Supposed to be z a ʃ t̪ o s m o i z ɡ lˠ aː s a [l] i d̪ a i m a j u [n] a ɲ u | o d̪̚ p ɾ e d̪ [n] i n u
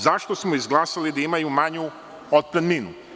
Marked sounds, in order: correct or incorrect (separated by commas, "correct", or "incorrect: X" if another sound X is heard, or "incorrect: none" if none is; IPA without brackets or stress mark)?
correct, incorrect: m, incorrect: m